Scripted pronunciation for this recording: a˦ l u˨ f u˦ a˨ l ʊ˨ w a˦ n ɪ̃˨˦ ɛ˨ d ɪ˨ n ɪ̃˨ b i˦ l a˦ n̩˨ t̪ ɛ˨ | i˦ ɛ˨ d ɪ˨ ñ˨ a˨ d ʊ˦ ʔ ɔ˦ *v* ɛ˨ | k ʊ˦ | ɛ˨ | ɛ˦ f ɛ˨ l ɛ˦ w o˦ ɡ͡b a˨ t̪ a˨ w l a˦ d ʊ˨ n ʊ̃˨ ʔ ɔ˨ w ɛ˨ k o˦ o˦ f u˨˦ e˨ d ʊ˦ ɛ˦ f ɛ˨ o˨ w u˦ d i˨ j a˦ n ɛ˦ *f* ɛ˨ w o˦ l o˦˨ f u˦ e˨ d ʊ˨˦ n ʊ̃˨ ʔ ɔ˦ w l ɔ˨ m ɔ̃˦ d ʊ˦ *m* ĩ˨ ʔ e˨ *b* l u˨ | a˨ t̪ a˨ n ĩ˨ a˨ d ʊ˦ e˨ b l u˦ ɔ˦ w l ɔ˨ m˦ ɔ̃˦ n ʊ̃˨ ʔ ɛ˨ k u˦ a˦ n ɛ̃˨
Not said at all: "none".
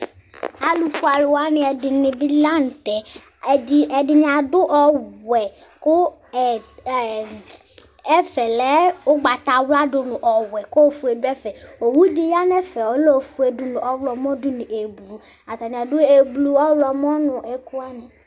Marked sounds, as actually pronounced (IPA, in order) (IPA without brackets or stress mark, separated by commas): w, f, n, b